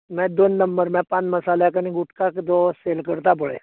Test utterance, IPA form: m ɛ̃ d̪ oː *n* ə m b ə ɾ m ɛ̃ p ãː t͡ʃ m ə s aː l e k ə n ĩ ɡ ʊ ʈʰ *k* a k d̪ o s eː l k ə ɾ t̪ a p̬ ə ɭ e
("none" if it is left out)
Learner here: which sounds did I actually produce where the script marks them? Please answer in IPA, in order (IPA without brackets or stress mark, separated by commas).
nː, k